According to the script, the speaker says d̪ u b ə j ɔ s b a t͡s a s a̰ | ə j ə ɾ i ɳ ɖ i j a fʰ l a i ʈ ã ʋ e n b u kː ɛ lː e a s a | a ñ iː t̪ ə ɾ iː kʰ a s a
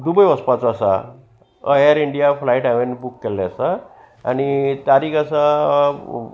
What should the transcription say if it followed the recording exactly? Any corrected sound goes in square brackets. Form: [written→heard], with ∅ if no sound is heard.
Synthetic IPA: d̪ u b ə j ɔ s [b→p] a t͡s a s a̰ | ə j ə ɾ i ɳ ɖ i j a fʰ l a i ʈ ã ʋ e n b u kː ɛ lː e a s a | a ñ [iː→i] t̪ [ə→a] ɾ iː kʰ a s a